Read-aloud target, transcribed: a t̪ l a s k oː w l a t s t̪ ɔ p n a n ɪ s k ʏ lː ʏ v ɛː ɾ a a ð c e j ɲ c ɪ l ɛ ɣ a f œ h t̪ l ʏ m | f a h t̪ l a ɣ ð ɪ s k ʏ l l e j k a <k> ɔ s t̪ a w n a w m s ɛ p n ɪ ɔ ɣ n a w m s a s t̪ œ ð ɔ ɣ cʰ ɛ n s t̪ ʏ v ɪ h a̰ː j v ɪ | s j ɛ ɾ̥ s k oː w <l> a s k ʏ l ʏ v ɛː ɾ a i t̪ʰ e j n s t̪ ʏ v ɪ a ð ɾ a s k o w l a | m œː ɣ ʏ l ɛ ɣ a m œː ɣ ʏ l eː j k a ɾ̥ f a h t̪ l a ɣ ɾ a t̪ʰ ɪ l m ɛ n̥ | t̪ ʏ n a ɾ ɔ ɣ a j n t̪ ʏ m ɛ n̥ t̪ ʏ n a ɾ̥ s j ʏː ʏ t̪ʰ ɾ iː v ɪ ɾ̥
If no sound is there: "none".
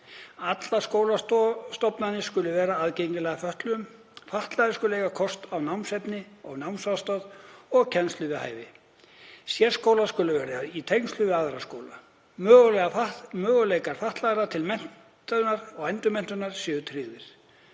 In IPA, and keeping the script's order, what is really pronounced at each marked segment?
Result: kʰ, l

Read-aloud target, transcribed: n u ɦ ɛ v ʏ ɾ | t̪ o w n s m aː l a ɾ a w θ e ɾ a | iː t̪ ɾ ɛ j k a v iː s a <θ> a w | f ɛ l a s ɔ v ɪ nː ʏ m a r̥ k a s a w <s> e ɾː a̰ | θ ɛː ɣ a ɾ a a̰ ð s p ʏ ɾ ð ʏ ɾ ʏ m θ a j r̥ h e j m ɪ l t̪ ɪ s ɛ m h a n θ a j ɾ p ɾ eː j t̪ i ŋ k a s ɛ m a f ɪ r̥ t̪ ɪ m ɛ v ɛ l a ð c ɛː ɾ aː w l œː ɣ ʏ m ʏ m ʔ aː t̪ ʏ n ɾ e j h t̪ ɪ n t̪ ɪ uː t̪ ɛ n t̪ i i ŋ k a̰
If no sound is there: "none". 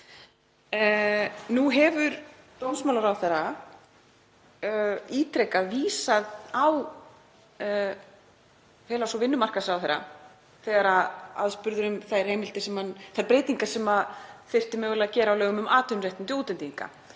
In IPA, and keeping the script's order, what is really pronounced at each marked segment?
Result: ð, θ

